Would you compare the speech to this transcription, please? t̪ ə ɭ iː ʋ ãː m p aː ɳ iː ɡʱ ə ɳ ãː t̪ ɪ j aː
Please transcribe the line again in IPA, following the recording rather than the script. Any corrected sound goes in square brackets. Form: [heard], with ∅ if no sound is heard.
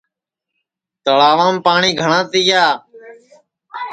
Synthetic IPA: t̪ ə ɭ [aː] ʋ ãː m p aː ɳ iː ɡʱ ə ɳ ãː t̪ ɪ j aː